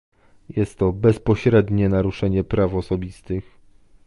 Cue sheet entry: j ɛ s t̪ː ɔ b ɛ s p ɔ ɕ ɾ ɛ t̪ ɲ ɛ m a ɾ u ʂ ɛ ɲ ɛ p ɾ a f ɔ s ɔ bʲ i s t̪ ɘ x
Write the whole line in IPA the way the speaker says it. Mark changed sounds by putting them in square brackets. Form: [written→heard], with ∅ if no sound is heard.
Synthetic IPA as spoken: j ɛ s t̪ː ɔ b ɛ s p ɔ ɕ ɾ ɛ [t̪→d̪] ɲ ɛ [m→n] a ɾ u ʂ ɛ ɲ ɛ p ɾ a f ɔ s ɔ bʲ i s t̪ ɘ x